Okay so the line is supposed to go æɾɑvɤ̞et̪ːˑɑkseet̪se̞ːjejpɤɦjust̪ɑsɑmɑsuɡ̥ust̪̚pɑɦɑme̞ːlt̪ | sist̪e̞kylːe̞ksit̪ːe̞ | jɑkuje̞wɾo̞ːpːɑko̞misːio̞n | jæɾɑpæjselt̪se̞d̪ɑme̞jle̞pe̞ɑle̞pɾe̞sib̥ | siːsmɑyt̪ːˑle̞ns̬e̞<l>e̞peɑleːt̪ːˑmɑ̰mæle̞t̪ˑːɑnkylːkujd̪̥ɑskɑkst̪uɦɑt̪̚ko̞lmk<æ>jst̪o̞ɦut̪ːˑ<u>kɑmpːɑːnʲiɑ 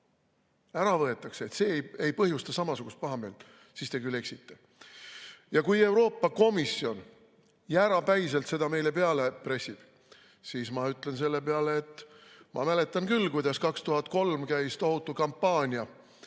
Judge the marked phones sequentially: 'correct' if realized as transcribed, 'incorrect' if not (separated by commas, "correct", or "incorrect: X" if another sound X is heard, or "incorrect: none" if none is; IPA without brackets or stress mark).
incorrect: lː, correct, correct